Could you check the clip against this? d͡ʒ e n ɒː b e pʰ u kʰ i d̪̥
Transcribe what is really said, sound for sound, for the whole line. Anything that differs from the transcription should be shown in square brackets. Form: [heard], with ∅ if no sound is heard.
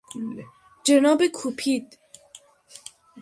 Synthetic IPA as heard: d͡ʒ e n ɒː b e [kʰ] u [pʰ] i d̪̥